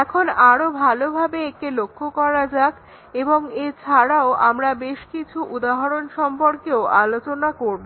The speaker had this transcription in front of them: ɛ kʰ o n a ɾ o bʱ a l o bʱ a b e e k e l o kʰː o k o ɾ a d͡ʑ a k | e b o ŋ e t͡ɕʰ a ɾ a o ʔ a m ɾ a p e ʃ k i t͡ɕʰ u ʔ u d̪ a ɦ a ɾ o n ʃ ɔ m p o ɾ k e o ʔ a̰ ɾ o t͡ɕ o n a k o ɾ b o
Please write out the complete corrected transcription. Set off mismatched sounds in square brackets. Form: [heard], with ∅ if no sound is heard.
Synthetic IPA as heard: ɛ kʰ o n a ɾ o bʱ a l o bʱ a b e e k e l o kʰː o k [ɔ] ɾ a d͡ʑ a k | e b o ŋ e t͡ɕʰ a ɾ a o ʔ a m ɾ a [b] e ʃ k i t͡ɕʰ u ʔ u d̪ a ɦ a ɾ o n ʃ ɔ m p o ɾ k e o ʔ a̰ [l] o t͡ɕ o n a k o ɾ b o